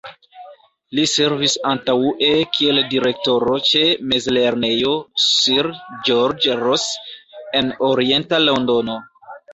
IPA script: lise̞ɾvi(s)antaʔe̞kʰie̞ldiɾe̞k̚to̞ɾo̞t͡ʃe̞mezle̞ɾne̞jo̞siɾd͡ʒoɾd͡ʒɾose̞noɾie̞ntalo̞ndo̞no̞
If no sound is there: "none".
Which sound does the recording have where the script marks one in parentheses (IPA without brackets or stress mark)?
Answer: s